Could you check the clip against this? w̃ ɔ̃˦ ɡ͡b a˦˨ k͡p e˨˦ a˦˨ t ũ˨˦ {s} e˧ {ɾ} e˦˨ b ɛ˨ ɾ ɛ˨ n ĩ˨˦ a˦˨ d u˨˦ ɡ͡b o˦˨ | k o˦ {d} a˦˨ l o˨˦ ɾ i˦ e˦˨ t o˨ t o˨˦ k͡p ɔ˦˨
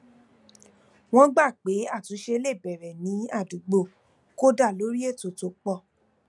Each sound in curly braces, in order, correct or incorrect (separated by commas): incorrect, incorrect, correct